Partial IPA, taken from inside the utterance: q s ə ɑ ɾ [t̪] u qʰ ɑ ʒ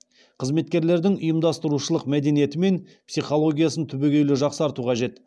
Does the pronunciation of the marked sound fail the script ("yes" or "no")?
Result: no